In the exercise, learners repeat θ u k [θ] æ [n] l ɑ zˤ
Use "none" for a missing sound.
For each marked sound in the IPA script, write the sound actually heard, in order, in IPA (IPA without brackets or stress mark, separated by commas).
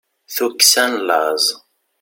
s, n